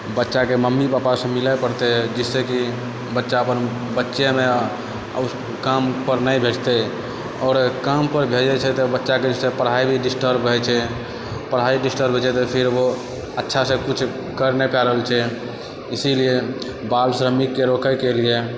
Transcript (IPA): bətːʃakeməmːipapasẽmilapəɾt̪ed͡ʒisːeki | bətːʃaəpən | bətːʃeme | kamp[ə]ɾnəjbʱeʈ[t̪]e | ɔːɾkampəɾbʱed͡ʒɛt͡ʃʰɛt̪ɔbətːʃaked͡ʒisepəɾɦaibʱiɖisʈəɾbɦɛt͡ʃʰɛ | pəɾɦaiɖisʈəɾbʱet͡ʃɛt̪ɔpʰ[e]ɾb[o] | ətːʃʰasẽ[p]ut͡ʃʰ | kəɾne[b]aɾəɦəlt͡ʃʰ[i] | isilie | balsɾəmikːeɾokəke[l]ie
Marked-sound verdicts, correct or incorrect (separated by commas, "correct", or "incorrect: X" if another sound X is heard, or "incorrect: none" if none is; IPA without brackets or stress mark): correct, correct, incorrect: i, correct, incorrect: k, incorrect: p, incorrect: ɛ, correct